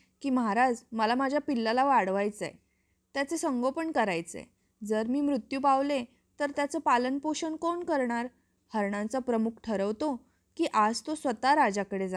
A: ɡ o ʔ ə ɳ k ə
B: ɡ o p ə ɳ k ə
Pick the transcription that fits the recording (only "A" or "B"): B